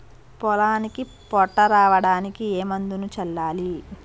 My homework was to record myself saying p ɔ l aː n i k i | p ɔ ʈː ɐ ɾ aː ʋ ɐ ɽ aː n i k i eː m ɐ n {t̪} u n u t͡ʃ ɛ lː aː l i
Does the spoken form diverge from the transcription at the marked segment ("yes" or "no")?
yes